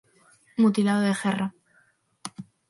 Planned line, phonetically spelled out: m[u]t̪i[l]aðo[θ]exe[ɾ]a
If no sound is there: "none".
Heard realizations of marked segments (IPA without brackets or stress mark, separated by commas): u, l, ð, r